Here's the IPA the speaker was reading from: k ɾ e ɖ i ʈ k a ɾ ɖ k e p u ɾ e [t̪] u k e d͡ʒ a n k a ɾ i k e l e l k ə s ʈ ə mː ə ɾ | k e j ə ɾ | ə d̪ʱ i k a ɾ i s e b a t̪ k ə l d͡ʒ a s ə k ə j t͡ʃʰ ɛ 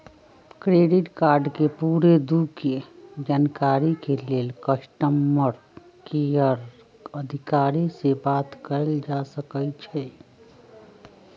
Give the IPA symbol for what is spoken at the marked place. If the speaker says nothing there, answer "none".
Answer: d̪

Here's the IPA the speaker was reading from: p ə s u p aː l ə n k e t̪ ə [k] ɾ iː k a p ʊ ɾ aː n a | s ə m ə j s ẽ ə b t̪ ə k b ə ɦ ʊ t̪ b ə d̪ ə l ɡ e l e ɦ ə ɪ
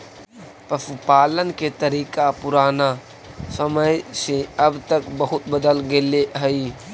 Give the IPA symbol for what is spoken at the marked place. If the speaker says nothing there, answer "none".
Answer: none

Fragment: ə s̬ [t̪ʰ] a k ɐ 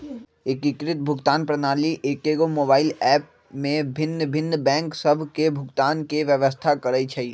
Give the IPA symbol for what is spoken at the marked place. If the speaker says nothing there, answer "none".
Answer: t̪ʰ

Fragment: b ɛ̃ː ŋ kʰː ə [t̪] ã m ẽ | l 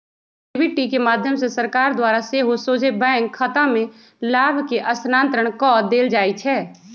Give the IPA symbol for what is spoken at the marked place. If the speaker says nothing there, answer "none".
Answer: t̪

